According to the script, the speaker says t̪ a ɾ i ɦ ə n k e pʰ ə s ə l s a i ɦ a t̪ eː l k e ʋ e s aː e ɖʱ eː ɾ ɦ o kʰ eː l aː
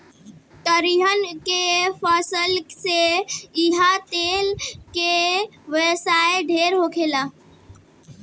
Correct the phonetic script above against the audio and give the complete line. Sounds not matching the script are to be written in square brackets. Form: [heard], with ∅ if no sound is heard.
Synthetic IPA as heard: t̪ [ə] ɾ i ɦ ə n k e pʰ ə s ə l s [e] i ɦ a t̪ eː l k e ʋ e s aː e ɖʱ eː ɾ ɦ o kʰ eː l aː